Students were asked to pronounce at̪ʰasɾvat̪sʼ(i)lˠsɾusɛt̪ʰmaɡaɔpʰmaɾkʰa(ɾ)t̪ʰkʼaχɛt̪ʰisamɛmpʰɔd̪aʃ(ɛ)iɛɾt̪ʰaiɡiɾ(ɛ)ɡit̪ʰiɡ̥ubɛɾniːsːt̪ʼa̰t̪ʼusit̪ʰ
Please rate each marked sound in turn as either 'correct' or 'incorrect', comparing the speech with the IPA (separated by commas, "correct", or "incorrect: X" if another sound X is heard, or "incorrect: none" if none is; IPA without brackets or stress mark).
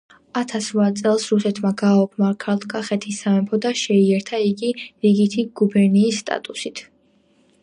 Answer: incorrect: ɛ, incorrect: l, correct, incorrect: i